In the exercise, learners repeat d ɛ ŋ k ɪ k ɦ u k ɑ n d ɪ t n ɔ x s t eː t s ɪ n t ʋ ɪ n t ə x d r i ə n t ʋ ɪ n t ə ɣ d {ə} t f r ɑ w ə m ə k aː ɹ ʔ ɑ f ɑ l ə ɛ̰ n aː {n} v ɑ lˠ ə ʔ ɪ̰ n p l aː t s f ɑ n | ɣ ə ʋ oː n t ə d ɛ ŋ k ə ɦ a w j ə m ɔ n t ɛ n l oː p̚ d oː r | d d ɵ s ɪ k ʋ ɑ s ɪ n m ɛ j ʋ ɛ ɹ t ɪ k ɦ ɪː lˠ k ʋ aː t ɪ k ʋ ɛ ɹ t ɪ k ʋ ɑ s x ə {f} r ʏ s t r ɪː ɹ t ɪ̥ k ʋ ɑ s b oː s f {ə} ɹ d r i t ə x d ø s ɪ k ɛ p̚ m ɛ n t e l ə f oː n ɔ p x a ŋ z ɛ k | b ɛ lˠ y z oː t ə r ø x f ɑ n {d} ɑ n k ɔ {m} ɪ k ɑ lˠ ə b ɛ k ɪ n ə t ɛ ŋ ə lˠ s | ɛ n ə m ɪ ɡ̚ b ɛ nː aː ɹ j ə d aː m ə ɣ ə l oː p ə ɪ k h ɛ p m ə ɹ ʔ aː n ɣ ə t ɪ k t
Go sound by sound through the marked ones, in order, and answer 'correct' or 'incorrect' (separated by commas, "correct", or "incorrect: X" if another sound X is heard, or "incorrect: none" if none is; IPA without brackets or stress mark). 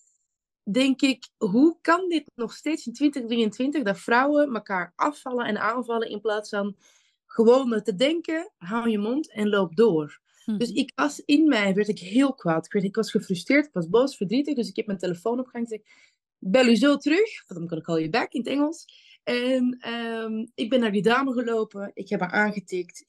incorrect: ɑ, correct, correct, correct, correct, incorrect: n